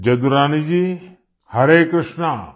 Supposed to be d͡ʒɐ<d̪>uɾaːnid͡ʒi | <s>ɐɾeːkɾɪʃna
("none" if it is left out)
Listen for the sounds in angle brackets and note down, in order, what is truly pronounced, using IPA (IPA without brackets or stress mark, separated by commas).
d̪, h